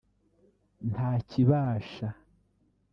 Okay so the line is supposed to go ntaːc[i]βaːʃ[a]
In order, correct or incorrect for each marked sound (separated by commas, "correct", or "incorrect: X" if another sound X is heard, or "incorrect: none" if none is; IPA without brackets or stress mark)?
correct, correct